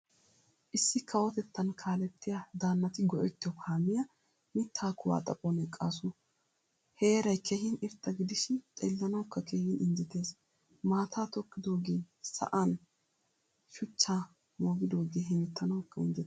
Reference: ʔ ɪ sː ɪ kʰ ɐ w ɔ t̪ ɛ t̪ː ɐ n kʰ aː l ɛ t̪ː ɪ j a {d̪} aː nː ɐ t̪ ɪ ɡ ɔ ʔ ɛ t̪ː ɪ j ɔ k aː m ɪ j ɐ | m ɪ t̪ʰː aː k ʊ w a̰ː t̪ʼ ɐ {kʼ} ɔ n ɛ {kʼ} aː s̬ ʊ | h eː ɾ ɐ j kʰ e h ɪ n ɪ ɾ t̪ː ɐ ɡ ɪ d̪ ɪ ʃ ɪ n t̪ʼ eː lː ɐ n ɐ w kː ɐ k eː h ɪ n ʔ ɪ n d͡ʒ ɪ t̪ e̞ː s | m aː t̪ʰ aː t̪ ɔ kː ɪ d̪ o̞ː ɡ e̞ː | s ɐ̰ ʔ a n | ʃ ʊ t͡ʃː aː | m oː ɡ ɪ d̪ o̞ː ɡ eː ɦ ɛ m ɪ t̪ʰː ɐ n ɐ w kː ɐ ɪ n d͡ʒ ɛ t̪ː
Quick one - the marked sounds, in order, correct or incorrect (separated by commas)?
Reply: correct, incorrect, correct